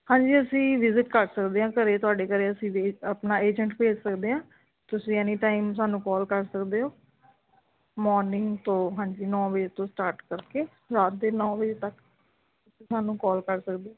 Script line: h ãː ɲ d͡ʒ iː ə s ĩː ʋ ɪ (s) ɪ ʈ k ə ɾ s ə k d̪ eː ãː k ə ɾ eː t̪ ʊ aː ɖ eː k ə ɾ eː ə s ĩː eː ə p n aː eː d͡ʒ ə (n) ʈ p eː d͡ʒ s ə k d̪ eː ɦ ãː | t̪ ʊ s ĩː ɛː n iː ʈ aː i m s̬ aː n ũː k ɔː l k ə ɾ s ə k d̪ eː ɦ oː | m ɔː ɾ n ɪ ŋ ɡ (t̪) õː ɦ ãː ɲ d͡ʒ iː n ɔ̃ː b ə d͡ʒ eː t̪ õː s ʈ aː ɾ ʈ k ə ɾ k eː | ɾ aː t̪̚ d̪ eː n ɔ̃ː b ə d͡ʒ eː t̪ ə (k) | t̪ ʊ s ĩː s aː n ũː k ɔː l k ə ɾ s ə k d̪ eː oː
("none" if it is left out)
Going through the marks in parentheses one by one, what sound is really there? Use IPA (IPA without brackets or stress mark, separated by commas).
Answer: z, ɳ, t̪, k